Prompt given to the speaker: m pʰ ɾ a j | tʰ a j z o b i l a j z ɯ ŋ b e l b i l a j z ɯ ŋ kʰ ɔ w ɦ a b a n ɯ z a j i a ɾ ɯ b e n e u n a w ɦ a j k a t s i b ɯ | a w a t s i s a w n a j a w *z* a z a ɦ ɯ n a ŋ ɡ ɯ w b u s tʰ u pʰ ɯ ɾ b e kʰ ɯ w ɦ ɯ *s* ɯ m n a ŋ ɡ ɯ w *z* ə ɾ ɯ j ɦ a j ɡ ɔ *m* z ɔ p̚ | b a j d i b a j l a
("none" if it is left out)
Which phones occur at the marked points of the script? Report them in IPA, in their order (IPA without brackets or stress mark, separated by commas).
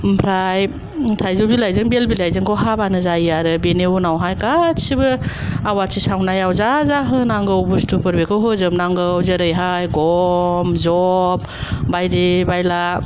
z, z, z, m